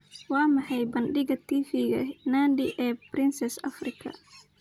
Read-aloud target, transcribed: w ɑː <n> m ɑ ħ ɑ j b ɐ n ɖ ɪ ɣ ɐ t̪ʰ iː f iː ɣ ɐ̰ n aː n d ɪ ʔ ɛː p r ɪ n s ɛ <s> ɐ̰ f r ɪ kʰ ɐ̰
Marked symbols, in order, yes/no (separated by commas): no, yes